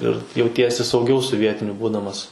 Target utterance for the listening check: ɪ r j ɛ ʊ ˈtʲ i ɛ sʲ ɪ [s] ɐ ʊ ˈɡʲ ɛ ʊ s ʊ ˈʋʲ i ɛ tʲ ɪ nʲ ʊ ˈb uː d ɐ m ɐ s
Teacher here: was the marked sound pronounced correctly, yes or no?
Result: yes